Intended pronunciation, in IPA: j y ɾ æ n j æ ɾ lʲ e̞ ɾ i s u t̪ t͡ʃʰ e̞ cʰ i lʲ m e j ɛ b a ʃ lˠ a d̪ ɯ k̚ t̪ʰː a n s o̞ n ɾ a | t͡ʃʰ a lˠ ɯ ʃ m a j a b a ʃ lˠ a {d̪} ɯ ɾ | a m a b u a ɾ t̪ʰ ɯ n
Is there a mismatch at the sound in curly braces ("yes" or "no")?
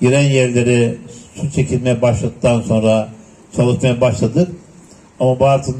no